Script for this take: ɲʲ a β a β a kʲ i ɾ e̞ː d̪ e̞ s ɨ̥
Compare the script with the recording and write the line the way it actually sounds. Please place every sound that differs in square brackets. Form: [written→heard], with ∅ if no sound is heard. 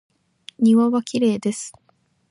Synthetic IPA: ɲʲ [a→i] β a β a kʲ i ɾ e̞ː d̪ e̞ s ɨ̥